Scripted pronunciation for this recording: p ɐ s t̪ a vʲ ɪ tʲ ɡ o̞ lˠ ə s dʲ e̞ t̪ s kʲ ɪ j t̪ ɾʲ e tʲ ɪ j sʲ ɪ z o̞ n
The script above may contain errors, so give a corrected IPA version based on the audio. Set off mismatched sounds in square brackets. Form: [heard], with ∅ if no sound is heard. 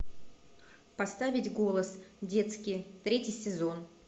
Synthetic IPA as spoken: p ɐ s t̪ a vʲ ɪ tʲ ɡ o̞ lˠ ə s dʲ e̞ t̪ s kʲ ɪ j t̪ ɾʲ e tʲ ɪ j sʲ ɪ z o̞ n